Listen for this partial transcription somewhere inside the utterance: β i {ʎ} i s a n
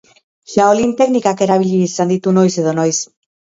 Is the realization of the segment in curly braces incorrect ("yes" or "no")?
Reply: no